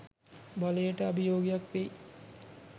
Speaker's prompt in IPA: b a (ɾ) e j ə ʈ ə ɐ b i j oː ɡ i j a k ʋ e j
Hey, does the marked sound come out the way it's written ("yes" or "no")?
no